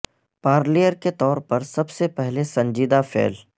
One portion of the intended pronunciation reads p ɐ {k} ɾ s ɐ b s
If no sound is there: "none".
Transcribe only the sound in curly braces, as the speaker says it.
none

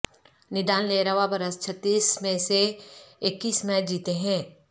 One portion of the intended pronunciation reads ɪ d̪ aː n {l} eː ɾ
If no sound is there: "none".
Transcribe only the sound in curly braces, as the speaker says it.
l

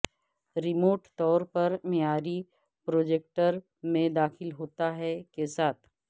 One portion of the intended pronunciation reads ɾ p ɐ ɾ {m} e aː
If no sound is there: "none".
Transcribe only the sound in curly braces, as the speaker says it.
m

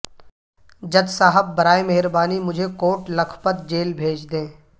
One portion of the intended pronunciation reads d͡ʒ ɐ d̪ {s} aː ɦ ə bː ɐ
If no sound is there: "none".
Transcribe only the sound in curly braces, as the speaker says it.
s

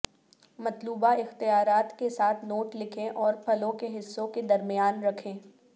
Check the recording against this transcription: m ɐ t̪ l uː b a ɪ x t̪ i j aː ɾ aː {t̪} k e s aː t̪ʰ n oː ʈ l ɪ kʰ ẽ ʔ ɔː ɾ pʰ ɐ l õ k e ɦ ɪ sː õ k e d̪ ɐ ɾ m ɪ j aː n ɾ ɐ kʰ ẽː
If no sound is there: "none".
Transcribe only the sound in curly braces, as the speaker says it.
t̪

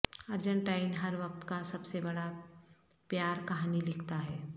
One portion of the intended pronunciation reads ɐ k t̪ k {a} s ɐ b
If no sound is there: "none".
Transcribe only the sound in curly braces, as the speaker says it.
a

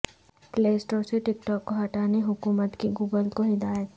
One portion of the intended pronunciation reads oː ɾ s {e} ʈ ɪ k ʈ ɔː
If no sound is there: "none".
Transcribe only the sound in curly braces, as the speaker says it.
e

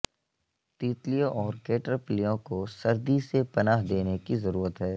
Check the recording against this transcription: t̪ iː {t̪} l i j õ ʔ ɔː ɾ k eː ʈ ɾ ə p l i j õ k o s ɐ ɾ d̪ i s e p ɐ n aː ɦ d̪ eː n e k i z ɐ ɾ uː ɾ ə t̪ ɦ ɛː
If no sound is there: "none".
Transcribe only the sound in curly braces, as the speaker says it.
t̪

